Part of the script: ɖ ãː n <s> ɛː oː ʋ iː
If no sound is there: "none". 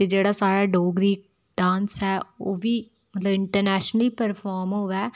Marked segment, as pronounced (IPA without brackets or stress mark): s